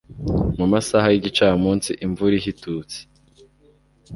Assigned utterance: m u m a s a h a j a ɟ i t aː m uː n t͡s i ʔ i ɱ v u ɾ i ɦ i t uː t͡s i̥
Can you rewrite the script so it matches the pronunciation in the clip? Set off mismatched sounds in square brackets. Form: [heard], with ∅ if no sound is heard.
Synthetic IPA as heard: m u m a s a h a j [i] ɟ i [t͡ʃ] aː m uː n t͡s i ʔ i ɱ v u ɾ i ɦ i t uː t͡s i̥